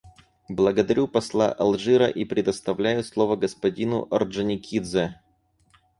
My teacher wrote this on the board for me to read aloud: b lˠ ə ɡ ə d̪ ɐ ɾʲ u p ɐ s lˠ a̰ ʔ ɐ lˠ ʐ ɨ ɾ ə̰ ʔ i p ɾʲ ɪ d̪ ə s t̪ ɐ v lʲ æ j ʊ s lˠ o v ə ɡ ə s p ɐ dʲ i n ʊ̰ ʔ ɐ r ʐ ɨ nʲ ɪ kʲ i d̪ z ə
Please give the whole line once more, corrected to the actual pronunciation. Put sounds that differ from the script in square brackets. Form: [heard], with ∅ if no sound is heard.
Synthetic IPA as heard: b lˠ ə ɡ ə d̪ ɐ ɾʲ u p ɐ s lˠ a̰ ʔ ɐ lˠ ʐ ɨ ɾ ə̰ ʔ i p ɾʲ ɪ d̪ ə s t̪ ɐ v lʲ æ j ʊ s lˠ o v ə ɡ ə s p ɐ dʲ i n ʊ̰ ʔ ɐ r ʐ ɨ nʲ ɪ kʲ i d̪ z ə